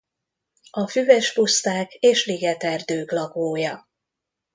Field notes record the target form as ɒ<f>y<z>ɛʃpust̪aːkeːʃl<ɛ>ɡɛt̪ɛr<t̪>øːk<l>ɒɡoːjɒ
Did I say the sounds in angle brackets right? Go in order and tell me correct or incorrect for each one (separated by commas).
correct, incorrect, incorrect, incorrect, correct